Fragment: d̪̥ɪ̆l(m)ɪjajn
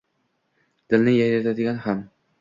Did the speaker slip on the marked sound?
yes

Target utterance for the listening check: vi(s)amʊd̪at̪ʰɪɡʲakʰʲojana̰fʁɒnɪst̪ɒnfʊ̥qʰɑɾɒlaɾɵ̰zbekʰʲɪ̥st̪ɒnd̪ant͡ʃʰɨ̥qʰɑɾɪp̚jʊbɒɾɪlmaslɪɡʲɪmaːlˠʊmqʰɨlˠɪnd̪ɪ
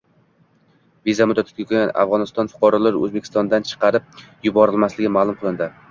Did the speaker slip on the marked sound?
yes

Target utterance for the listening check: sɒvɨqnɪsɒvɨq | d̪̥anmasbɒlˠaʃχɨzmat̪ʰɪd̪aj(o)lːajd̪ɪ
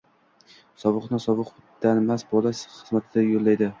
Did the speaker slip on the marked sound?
no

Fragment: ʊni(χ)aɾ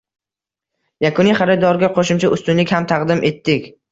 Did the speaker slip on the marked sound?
no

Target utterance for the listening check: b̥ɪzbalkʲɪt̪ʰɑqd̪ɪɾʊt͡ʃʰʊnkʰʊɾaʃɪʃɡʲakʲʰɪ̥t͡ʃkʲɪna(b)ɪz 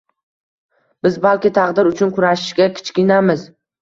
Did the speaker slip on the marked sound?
yes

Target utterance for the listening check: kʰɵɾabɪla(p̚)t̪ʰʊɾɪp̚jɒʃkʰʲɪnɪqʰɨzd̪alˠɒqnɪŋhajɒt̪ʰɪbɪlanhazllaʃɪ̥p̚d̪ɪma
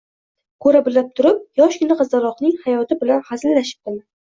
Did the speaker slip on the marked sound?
no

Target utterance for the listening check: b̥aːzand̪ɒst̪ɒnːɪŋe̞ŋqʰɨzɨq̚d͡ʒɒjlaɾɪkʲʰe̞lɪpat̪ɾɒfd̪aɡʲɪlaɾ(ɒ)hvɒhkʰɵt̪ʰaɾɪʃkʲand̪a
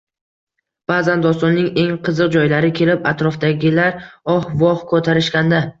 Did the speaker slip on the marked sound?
no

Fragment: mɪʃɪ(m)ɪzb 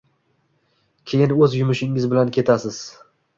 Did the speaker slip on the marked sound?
yes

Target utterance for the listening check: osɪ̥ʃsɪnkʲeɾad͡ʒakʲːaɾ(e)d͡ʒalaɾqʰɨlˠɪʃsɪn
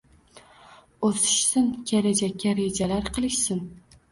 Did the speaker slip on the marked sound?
no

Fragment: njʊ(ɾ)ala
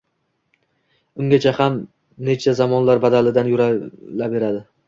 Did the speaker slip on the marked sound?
no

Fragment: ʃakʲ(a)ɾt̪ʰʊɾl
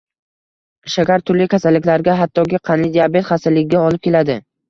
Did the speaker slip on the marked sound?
no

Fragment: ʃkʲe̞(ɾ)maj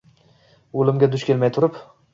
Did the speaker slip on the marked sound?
yes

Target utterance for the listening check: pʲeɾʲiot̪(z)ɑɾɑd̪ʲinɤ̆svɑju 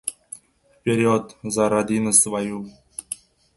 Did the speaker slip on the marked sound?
no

